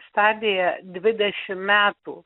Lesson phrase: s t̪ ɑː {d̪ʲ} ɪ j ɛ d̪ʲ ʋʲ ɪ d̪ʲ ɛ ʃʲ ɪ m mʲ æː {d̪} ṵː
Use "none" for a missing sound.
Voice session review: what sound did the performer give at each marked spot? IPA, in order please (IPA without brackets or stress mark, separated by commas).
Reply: d̪ʲ, t̪